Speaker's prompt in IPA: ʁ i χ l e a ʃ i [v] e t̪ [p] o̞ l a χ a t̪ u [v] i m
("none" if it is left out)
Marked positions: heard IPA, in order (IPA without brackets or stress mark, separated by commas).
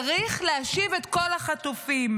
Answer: v, k, f